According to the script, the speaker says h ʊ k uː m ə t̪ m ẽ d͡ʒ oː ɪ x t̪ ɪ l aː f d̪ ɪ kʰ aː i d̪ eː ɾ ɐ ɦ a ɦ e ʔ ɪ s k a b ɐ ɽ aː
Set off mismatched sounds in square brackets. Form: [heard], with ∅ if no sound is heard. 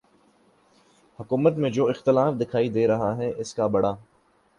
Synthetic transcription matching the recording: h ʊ k uː m ə t̪ m ẽ d͡ʒ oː ɪ x t̪ ɪ l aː f d̪ ɪ kʰ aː i d̪ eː ɾ ɐ ɦ a ɦ [ɛ] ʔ ɪ s k a b ɐ ɽ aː